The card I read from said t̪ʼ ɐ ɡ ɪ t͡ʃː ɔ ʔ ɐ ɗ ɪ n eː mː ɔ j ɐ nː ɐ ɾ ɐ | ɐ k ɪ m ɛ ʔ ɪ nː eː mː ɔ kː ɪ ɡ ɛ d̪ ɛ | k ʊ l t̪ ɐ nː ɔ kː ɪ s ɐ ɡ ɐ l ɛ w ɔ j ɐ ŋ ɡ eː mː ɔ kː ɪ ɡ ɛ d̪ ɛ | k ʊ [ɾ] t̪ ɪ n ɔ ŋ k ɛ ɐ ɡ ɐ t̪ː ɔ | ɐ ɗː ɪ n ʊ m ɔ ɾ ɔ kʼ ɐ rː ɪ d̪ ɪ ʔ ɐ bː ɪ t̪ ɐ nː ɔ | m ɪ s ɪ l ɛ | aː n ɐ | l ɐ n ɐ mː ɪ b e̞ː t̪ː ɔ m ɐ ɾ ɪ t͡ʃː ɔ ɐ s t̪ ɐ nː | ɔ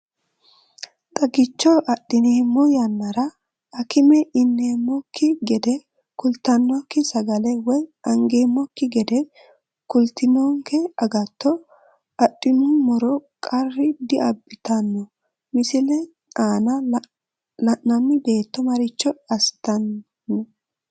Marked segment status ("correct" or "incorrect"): incorrect